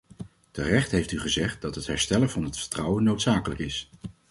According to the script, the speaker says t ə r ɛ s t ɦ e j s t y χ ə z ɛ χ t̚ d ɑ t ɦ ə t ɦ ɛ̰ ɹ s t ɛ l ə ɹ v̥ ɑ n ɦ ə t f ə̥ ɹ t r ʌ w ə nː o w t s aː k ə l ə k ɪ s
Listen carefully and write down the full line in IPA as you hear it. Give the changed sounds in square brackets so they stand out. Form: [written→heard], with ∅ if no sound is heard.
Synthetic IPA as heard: t ə r ɛ [s→χ] t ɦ e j [s→f] t y χ ə z ɛ χ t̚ d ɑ t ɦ ə t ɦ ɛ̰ ɹ s t ɛ l ə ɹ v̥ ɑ n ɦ ə t f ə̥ ɹ t r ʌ w ə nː o w t s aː k ə l ə k ɪ s